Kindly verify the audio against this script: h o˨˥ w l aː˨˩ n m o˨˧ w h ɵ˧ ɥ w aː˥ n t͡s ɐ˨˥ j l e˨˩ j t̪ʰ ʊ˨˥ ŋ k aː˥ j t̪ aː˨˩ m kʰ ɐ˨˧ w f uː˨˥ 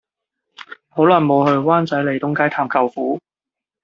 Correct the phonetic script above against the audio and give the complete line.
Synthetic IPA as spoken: h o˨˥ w l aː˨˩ n m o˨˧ w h ɵ˧ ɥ w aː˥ n t͡s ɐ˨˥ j l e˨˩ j t̪ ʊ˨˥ ŋ k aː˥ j t̪ʰ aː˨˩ m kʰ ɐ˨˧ w f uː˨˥